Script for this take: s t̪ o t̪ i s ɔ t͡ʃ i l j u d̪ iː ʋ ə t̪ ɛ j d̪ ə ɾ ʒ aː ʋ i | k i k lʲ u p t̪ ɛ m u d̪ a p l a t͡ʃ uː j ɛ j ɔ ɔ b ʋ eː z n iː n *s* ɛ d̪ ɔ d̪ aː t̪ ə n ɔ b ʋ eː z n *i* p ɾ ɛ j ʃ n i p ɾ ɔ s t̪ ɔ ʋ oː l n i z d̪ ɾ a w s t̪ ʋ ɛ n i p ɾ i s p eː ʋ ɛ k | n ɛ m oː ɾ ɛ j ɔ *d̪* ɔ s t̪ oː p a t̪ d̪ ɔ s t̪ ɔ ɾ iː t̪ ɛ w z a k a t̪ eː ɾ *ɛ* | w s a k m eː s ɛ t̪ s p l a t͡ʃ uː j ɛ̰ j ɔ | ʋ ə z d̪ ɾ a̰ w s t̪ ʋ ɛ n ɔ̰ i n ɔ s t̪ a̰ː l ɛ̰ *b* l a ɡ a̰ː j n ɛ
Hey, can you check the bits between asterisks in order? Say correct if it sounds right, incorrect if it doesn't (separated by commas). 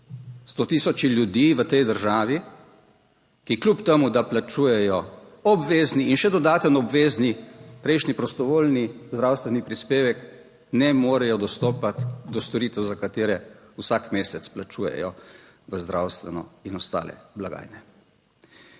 incorrect, correct, correct, correct, correct